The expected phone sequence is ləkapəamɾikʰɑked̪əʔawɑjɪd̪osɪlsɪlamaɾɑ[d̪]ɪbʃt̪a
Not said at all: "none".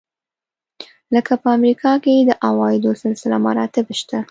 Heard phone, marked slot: t̪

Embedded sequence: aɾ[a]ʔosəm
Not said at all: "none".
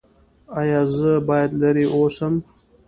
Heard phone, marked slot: i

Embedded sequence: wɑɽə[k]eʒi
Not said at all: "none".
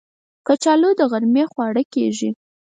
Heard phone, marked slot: k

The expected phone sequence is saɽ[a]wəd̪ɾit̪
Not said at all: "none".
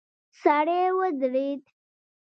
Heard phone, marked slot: e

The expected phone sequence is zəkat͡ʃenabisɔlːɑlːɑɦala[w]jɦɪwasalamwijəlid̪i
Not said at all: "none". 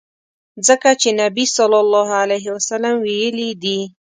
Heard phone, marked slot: none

